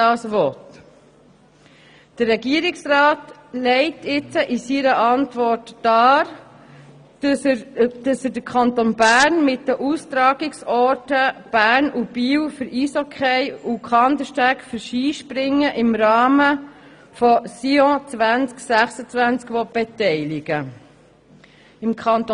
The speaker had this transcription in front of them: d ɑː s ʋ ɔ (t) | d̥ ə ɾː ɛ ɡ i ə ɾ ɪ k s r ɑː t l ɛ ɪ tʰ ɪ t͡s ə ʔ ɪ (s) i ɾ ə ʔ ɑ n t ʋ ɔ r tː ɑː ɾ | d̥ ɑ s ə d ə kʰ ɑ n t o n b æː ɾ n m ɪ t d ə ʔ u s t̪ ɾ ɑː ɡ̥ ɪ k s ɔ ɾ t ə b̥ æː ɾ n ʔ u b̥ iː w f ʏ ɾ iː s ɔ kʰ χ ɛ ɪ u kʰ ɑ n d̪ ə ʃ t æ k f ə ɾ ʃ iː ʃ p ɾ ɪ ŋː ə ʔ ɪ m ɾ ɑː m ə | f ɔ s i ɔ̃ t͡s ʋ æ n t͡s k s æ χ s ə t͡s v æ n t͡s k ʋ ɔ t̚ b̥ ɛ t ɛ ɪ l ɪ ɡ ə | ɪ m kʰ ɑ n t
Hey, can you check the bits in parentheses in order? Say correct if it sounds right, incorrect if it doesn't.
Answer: correct, correct

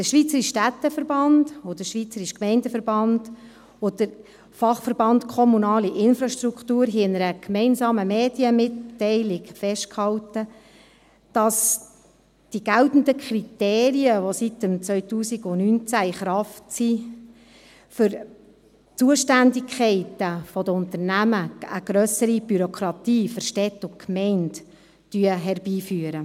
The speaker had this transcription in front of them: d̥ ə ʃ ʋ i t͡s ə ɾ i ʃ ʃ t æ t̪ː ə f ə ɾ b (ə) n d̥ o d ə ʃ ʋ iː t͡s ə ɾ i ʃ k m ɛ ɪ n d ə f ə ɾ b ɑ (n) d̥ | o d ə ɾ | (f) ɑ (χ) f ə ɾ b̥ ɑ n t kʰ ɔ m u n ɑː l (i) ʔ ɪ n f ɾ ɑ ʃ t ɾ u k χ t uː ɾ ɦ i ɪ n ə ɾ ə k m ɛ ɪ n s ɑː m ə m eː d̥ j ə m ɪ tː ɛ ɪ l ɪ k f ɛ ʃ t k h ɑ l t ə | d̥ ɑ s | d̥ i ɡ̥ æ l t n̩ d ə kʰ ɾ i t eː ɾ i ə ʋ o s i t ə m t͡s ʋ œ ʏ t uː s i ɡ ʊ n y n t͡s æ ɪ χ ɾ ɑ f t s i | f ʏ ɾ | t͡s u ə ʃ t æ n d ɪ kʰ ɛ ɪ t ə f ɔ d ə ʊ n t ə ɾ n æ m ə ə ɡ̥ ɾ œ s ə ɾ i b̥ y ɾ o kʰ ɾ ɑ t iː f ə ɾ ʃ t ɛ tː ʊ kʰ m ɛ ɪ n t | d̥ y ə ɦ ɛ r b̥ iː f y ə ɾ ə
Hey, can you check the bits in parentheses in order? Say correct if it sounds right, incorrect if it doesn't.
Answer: incorrect: ɑ, correct, correct, correct, correct

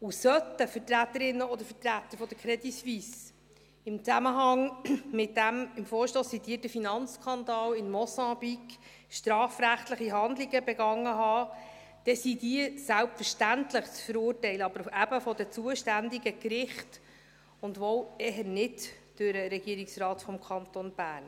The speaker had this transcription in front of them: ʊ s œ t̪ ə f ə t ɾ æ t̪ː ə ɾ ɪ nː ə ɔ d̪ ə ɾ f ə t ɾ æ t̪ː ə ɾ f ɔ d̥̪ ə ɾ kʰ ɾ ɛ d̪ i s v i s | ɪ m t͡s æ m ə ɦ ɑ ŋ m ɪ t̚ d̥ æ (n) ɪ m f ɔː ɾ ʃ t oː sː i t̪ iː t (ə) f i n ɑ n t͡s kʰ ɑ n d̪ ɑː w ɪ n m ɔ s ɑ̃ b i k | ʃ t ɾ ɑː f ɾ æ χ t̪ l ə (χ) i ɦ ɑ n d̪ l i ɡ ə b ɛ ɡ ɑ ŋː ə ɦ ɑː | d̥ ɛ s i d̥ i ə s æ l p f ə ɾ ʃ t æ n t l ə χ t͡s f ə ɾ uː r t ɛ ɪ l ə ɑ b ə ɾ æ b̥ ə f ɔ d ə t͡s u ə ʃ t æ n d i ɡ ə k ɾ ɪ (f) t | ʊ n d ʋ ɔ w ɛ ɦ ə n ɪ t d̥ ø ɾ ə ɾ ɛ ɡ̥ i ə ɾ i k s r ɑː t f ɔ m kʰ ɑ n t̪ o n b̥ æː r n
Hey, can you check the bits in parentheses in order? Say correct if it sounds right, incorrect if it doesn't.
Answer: incorrect: m, correct, correct, incorrect: χ

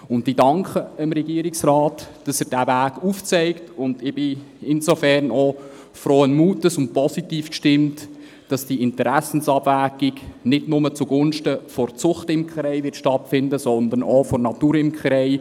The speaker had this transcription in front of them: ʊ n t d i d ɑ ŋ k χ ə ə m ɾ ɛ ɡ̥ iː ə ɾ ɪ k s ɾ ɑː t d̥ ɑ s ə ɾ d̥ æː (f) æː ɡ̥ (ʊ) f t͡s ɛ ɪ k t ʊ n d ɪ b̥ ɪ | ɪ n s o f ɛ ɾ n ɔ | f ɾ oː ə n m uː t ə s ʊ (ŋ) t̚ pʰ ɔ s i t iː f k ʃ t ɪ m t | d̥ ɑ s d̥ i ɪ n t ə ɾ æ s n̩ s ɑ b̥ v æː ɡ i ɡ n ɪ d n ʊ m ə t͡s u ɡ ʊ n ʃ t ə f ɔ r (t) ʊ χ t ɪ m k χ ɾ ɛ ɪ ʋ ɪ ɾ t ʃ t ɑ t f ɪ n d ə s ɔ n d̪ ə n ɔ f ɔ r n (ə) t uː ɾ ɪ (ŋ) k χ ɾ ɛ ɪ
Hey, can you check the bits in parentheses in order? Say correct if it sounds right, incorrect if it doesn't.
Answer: incorrect: v, incorrect: u, incorrect: n, incorrect: t͡s, incorrect: ɑ, incorrect: m

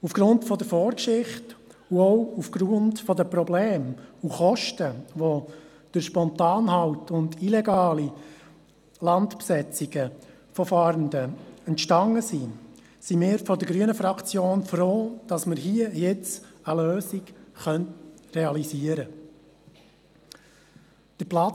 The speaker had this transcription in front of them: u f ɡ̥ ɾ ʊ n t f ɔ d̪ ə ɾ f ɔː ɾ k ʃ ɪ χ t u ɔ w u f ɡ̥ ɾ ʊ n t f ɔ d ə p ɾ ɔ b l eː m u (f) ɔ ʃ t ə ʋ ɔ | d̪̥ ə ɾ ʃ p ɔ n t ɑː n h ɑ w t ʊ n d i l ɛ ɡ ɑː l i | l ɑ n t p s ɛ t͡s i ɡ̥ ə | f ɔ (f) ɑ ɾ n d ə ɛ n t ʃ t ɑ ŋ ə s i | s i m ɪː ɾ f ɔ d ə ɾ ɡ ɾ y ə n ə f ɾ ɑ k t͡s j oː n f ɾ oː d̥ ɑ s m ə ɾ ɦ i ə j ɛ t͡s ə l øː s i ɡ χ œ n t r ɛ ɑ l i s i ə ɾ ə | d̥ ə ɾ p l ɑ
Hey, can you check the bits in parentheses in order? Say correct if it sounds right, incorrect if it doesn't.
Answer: incorrect: χ, correct

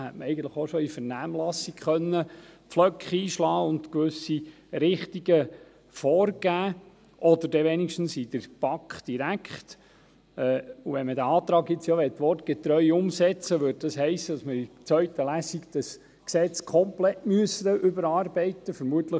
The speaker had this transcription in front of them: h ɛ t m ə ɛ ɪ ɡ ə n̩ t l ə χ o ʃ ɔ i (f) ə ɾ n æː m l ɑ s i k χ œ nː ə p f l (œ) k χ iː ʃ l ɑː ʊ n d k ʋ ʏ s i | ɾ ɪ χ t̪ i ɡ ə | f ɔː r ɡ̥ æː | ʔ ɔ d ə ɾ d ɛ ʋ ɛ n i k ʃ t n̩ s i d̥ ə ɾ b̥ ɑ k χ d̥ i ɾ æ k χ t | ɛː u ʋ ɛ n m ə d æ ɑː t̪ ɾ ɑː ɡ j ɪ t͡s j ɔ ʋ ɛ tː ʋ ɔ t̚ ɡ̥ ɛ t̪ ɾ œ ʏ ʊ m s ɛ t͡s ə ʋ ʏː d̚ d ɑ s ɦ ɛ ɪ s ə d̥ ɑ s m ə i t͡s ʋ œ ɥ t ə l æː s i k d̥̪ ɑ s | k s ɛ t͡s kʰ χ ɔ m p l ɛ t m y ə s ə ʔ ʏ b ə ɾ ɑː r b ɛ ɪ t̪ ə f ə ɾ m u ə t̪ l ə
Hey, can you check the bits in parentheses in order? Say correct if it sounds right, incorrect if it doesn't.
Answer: correct, correct

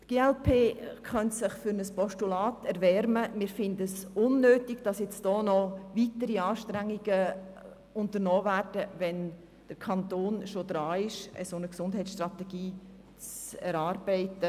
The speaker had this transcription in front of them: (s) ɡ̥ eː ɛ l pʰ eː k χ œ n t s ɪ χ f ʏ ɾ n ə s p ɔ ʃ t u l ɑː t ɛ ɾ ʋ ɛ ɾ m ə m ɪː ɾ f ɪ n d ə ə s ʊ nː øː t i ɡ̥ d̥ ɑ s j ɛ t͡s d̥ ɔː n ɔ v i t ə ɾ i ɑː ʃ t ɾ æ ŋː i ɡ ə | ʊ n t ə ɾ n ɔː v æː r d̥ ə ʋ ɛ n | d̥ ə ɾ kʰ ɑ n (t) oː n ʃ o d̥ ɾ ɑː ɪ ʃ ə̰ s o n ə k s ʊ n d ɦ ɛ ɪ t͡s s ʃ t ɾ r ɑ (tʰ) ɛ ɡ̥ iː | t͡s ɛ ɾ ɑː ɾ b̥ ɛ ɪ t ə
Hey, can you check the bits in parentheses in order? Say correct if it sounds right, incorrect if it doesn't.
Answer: incorrect: t, correct, incorrect: t

